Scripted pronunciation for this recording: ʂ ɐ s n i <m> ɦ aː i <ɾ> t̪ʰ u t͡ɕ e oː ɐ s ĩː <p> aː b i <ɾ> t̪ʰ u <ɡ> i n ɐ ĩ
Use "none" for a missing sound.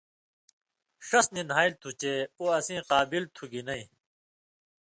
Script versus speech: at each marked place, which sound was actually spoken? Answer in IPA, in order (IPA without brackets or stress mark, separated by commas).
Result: n, l, q, l, ɡ